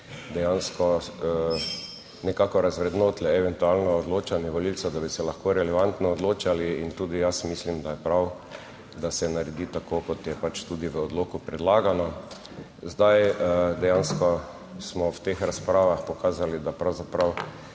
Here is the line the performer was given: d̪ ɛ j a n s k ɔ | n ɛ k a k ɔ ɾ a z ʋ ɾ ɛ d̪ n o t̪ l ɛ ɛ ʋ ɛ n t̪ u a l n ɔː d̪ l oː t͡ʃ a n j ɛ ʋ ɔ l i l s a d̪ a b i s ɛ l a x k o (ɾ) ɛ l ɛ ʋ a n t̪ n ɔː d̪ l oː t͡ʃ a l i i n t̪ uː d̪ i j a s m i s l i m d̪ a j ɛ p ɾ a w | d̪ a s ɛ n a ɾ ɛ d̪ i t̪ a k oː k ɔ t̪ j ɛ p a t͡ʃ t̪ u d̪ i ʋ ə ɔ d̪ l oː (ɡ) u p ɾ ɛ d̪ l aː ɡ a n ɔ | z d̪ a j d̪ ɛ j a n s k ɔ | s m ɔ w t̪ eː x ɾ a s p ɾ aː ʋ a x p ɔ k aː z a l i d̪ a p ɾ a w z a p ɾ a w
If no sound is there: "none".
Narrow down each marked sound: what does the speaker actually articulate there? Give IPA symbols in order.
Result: ɾ, k

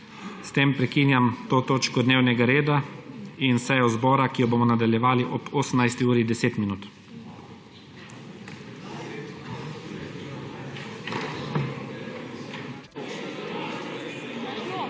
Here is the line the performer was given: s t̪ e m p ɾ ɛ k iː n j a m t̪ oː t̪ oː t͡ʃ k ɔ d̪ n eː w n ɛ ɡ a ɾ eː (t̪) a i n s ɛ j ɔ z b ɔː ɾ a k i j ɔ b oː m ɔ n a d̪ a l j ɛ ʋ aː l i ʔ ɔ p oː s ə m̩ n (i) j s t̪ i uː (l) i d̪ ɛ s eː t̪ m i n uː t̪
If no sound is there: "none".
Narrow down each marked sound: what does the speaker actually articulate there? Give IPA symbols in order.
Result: d̪, a, ɾ

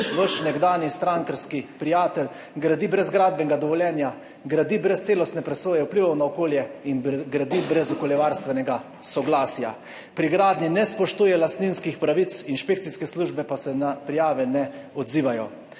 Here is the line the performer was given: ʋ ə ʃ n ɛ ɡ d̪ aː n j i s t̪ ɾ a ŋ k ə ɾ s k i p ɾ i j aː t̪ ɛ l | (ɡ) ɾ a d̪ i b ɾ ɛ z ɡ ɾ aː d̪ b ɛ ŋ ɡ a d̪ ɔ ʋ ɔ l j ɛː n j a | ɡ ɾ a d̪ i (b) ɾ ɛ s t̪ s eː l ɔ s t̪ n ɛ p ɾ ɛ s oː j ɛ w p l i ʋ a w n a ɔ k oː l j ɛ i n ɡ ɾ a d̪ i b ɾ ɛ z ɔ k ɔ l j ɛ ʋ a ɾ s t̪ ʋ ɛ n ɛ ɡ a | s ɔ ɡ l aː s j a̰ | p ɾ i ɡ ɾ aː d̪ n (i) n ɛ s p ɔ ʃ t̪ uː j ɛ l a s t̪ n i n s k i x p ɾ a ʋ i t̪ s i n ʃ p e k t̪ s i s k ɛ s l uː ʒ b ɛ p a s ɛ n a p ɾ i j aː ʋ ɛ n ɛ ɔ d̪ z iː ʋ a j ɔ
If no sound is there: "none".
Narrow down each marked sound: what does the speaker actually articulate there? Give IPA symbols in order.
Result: ɡ, b, i

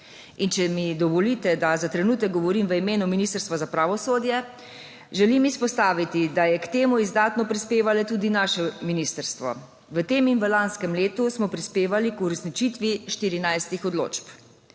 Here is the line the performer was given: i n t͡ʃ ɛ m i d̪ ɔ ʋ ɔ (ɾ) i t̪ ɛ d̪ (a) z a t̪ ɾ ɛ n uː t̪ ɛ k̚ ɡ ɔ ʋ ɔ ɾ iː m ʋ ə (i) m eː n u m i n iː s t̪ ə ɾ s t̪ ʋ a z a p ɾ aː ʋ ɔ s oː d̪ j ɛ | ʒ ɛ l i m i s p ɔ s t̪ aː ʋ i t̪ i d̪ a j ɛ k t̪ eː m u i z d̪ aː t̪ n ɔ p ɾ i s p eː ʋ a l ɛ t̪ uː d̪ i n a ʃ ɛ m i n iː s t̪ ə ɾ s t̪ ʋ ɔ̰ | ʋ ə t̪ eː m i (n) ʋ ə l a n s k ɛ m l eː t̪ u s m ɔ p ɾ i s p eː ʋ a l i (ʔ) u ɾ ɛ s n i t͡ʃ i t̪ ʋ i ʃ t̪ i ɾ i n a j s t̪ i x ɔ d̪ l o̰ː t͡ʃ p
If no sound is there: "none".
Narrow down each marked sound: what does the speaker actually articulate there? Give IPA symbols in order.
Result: l, a, i, n, k

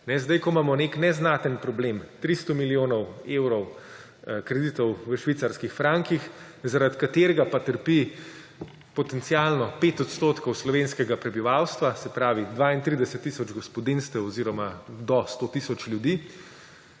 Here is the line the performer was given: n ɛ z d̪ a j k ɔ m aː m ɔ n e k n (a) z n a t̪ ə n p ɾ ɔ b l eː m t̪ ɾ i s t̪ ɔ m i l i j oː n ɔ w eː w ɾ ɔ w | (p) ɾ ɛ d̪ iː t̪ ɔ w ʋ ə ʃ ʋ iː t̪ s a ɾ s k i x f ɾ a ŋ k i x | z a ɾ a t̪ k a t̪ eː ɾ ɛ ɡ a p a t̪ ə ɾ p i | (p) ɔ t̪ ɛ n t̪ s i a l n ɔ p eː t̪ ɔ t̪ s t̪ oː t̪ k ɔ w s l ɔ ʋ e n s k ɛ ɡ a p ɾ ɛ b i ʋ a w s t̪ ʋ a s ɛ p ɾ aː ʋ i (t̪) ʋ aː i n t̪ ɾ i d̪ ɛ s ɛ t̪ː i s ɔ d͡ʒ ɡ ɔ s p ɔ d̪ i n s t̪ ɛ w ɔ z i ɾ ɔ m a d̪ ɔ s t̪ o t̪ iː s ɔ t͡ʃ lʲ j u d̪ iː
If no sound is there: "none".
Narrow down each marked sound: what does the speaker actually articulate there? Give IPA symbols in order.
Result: ɛ, k, p, d̪

